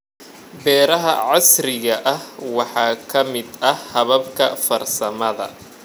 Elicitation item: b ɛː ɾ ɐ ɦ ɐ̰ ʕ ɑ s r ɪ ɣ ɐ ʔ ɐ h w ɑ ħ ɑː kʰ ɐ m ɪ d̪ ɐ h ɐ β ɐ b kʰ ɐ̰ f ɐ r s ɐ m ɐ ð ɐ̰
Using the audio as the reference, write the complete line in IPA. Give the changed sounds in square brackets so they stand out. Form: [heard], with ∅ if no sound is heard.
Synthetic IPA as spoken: b ɛː ɾ ɐ ɦ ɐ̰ ʕ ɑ s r ɪ ɣ ɐ ʔ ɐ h w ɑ ħ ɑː kʰ ɐ m ɪ d̪ ɐ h ɐ β ɐ b kʰ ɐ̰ f ɐ r s ɐ m ɐ ð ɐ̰